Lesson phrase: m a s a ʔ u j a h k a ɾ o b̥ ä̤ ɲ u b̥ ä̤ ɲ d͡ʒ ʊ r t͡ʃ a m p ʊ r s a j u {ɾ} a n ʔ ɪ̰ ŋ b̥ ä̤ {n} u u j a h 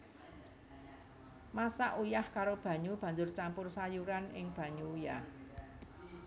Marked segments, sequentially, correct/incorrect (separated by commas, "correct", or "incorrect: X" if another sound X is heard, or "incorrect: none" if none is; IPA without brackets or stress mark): correct, incorrect: ɲ